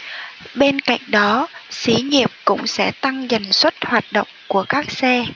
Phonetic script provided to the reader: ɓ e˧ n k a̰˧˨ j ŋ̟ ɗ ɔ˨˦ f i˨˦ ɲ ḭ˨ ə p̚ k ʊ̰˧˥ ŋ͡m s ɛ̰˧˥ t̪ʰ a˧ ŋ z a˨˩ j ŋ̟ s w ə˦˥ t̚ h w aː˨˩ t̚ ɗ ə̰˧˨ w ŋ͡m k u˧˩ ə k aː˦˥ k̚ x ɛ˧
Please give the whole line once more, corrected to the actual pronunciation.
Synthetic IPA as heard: ɓ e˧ n k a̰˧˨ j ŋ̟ ɗ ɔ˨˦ s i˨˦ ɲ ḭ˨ ə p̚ k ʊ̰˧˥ ŋ͡m s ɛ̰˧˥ t̪ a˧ ŋ z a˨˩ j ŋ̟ s w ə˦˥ t̚ h w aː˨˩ t̚ ɗ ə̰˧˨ w ŋ͡m k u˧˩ ə k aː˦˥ k̚ s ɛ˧

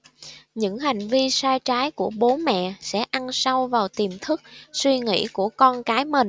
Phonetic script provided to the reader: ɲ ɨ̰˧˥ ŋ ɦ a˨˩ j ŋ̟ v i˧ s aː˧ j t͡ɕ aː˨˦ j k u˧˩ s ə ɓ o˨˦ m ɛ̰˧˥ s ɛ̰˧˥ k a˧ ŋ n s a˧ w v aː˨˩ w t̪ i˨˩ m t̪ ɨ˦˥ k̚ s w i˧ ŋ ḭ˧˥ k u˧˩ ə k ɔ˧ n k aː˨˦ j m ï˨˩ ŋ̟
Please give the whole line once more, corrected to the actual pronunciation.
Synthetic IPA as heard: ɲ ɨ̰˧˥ ŋ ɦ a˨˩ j ŋ̟ v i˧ s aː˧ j t͡ɕ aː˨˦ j k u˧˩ ə ɓ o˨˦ m ɛ̰˧˨ s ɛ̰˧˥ ʔ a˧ n s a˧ w v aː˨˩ w t̪ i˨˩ m t̪ʰ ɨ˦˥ k̚ s w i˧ ŋ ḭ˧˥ k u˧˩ ə k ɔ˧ n k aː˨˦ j m ï˨˩ ŋ̟

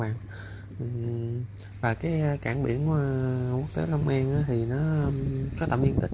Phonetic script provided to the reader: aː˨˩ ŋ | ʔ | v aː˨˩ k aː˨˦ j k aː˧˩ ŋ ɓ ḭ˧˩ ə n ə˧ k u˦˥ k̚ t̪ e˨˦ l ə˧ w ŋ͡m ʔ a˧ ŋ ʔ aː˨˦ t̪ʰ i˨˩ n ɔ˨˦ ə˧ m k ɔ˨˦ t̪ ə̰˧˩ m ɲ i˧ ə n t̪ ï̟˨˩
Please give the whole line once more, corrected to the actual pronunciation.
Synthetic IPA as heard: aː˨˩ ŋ | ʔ | v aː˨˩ k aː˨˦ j k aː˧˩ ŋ ɓ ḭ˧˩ ə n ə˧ k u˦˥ k̚ t̪ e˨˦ l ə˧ w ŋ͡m ʔ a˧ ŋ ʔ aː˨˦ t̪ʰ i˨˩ n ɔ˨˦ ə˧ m k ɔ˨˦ t̪ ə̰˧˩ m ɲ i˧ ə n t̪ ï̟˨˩

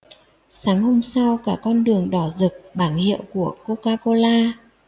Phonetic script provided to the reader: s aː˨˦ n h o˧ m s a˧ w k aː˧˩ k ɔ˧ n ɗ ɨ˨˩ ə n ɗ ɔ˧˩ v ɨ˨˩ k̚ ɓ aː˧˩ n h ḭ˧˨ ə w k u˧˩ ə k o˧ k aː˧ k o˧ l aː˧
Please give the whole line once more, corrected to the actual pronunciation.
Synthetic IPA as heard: s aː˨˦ ŋ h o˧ m s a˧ w k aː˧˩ k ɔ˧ n ɗ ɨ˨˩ ə ŋ ɗ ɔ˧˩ z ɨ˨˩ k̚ ɓ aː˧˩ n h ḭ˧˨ ə w k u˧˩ ə k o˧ k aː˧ k o˧ l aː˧

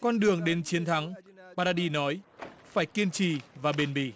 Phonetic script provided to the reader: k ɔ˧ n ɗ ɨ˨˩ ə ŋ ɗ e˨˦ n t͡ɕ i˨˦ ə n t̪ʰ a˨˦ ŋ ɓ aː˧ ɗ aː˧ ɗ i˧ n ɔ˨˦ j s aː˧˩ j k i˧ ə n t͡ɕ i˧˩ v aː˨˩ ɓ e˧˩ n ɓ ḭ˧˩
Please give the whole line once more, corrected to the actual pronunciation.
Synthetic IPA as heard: k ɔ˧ n ɗ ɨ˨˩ ə ŋ ɗ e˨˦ n t͡ɕ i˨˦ ə n t̪ʰ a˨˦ ŋ ɓ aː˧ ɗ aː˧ ɗ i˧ n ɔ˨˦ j f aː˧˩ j k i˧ ə n t͡ɕ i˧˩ v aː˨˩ ɓ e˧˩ n ɓ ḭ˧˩

